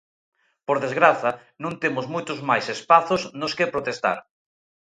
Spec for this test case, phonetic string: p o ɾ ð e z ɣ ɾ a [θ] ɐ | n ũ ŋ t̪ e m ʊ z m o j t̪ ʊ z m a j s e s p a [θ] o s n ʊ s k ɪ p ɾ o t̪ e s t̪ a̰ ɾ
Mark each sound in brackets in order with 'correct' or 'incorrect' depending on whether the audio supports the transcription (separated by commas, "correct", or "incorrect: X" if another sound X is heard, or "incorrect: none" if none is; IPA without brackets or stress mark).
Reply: correct, correct